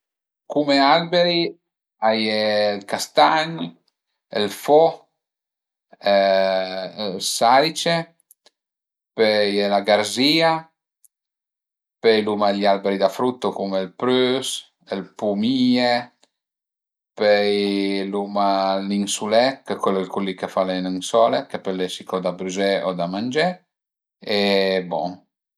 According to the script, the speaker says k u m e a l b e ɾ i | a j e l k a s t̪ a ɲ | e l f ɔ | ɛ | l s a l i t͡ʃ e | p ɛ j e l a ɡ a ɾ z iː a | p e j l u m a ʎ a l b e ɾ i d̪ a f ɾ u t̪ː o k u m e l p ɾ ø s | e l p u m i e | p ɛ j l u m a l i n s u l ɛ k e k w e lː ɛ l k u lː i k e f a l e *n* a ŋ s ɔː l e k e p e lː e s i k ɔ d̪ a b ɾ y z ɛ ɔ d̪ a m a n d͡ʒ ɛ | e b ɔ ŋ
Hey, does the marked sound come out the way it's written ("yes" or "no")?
yes